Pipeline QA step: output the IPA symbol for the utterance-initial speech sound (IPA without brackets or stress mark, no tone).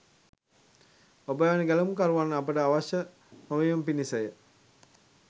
o